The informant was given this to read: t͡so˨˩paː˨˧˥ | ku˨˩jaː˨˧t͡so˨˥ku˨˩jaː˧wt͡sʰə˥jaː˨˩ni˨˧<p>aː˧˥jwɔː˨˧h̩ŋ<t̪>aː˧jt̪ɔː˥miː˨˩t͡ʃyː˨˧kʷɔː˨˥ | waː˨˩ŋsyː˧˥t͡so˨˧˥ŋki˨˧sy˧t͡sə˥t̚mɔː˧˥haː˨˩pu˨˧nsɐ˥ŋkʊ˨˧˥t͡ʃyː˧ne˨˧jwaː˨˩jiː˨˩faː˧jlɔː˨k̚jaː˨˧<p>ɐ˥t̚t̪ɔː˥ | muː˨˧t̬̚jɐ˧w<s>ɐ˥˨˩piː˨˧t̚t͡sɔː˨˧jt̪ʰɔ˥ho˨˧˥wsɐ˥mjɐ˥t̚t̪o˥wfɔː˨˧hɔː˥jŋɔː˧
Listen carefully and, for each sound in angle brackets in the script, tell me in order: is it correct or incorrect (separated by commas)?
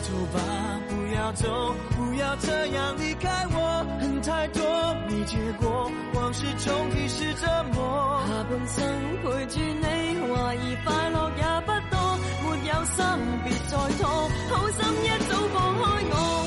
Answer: incorrect, incorrect, correct, correct